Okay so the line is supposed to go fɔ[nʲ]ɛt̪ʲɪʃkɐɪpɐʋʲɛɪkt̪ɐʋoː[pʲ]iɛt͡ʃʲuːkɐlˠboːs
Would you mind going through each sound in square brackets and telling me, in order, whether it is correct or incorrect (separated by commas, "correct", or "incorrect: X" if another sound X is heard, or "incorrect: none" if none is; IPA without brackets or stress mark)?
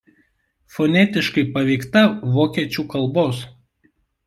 correct, incorrect: kʲ